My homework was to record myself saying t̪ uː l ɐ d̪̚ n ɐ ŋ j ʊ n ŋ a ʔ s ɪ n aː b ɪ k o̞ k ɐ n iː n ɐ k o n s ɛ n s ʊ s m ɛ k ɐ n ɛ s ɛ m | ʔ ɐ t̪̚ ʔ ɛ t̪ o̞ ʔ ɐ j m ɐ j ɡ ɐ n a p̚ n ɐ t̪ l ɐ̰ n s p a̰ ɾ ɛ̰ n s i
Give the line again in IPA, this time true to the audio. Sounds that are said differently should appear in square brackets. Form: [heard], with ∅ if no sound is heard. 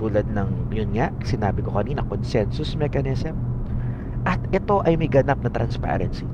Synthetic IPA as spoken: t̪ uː l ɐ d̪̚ n ɐ ŋ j ʊ n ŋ a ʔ s ɪ n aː b ɪ k o̞ k ɐ n iː n ɐ k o n s ɛ n s ʊ s m ɛ k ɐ n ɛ s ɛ m | ʔ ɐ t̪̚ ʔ ɛ t̪ o̞ ʔ ɐ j m ɐ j ɡ ɐ n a p̚ n ɐ t̪ [ɾ] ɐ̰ n s p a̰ ɾ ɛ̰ n s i